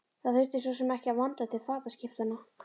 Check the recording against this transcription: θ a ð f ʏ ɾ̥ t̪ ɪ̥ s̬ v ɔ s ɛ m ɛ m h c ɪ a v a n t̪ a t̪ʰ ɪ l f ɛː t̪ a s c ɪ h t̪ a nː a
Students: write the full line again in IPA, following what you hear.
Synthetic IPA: θ a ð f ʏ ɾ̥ t̪ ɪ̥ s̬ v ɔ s ɛ m ɛ h c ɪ a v a n t̪ a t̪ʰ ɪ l f aː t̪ a s c ɪ f t̪ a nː a